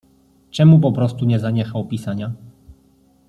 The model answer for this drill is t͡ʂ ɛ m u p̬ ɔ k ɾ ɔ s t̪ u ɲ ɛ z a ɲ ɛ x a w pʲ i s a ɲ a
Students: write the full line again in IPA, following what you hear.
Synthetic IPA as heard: t͡ʂ ɛ m u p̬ ɔ p ɾ ɔ s t̪ u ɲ ɛ z a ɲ ɛ x a w pʲ i s a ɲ a